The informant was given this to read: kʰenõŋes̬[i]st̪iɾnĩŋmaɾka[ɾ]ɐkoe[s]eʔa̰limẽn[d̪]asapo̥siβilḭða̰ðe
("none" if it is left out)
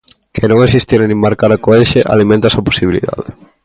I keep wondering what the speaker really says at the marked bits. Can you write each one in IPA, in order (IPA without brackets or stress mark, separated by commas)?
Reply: i, ɾ, ʃ, t̪